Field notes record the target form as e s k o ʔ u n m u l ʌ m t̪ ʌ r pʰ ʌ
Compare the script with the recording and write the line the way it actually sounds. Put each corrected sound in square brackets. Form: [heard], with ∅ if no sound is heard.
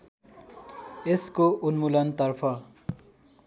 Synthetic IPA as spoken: e s k o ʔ u n m u l ʌ [n] t̪ ʌ r pʰ ʌ

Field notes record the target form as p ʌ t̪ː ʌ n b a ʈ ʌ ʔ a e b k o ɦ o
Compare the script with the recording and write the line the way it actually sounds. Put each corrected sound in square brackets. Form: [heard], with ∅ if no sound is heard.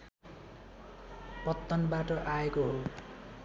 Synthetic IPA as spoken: p ʌ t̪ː ʌ n b a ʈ ʌ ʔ a e [∅] k o ɦ o

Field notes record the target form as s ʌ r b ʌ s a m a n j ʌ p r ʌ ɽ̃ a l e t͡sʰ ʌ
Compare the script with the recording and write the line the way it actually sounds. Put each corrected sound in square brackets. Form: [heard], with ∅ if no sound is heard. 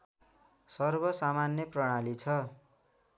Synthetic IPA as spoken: s ʌ r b ʌ s a m a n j ʌ p r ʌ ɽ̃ a l [i] t͡sʰ ʌ

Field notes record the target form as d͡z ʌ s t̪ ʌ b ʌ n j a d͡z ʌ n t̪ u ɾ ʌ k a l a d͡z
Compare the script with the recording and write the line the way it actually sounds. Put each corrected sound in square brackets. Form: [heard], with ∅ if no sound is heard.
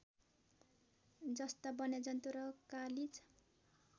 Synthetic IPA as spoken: d͡z ʌ s t̪ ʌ b ʌ n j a d͡z ʌ n t̪ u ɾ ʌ k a l [i] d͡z

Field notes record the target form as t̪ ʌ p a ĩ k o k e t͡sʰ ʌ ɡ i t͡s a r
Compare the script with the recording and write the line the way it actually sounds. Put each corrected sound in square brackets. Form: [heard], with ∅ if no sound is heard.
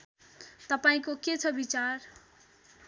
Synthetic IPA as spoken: t̪ ʌ p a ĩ k o k e t͡sʰ ʌ [b] i t͡s a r

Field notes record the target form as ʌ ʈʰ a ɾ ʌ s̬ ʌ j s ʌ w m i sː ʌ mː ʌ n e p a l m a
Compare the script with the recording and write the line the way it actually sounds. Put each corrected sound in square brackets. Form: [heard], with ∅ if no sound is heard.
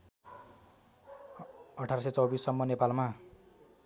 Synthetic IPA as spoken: ʌ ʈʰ a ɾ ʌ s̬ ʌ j [t͡s] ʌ w [b] i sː ʌ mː ʌ n e p a l m a

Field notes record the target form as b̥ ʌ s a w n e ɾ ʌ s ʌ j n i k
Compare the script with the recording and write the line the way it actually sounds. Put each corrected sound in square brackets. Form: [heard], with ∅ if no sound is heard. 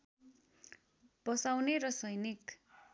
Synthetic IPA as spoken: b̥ ʌ s a w n e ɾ ʌ s ʌ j n i k

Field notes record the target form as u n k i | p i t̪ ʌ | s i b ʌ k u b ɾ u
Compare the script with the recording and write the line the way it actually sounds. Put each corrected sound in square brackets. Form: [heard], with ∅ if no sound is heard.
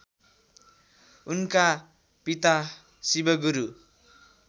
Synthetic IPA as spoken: u n k [a] | p i t̪ [a] | s i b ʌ [ɡ] u [∅] ɾ u

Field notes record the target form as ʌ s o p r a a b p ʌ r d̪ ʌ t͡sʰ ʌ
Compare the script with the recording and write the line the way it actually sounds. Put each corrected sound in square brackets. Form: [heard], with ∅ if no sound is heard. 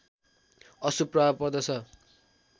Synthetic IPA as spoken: ʌ s [u] p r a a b p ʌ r d̪ ʌ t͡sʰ ʌ

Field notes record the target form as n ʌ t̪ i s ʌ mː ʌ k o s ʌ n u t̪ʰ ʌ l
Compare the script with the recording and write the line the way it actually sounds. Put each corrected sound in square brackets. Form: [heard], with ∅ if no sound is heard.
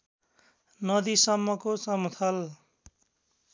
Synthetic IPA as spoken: n ʌ [d̪] i s ʌ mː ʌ k o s ʌ [m] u t̪ʰ ʌ l

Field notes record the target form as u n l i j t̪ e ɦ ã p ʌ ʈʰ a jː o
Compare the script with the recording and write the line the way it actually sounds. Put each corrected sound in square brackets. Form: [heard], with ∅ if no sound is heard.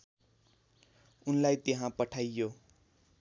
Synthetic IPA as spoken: u n l [a] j t̪ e ɦ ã p ʌ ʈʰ a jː o

